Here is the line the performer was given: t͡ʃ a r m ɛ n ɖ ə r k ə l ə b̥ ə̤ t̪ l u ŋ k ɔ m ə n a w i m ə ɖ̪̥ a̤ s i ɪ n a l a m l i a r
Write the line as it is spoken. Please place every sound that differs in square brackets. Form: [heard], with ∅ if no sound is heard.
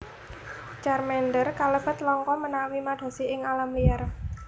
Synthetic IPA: t͡ʃ a r m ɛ n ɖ ə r k [a] l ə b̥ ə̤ t̪ l [ɔ] ŋ k ɔ m ə n a w i m [a] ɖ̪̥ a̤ s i ɪ [ŋ] a l a m l i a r